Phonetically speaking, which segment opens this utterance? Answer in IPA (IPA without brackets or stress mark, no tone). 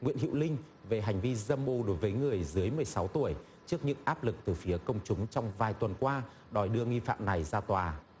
ŋ